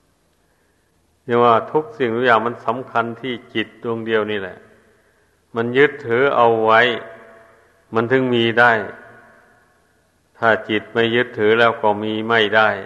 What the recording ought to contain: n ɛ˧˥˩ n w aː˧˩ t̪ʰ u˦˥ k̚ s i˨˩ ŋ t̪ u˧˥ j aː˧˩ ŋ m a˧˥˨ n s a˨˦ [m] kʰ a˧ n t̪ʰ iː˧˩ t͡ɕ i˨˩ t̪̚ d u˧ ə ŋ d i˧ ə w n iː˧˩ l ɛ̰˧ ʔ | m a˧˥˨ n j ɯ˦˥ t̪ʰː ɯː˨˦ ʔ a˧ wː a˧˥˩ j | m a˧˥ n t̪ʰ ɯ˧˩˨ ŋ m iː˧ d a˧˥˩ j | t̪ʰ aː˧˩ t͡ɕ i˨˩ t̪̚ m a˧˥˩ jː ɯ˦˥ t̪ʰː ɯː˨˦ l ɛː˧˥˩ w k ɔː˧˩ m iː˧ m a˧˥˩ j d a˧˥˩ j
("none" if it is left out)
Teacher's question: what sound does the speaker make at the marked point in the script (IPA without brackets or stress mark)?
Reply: m